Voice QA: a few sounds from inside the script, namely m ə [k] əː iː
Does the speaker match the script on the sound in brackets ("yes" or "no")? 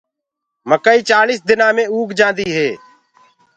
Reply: yes